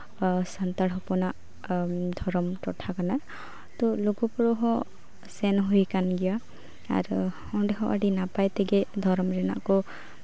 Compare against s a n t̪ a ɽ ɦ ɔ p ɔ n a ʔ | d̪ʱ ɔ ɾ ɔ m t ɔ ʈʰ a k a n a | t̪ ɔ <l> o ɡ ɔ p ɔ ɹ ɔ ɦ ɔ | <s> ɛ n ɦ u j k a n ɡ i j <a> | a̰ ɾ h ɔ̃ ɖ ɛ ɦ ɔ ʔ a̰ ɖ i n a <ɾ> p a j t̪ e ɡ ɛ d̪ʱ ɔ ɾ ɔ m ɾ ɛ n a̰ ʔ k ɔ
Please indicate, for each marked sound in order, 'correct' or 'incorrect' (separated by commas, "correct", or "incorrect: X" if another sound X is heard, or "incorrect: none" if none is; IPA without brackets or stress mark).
correct, correct, correct, incorrect: none